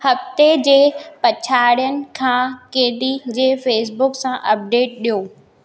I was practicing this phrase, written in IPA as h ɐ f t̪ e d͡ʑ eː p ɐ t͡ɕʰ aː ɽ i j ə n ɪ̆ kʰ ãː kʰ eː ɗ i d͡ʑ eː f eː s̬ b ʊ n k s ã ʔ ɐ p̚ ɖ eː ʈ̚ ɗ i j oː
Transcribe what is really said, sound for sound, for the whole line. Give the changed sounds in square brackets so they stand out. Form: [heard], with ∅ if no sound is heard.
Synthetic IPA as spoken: h ɐ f t̪ e d͡ʑ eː p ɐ t͡ɕʰ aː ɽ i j ə n ɪ̆ kʰ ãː [k] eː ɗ i d͡ʑ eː f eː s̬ b ʊ [∅] k s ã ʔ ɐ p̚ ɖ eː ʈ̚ ɗ i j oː